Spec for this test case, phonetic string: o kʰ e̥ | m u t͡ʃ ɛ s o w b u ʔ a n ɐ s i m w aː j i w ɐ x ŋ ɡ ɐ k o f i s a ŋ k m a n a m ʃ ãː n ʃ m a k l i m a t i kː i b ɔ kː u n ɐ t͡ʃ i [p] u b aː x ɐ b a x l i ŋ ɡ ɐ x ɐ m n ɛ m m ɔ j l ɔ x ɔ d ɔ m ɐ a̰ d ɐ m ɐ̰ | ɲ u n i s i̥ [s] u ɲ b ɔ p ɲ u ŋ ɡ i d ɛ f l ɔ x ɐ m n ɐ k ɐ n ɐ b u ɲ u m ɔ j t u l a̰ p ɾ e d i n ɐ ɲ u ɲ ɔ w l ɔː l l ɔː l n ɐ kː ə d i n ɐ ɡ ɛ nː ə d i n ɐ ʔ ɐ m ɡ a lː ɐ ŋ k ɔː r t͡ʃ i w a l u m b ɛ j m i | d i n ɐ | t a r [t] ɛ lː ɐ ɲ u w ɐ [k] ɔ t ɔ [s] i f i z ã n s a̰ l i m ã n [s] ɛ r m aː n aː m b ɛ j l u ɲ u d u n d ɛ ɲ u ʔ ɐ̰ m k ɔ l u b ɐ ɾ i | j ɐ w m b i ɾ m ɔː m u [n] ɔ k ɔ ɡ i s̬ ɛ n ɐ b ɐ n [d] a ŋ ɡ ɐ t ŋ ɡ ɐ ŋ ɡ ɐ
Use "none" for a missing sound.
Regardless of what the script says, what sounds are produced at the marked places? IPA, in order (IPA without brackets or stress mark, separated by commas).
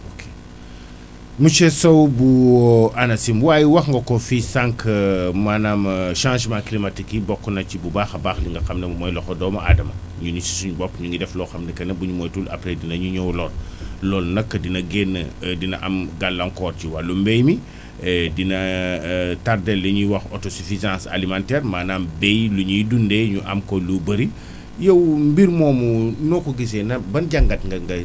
b, s, d, x, s, t, n, ɟ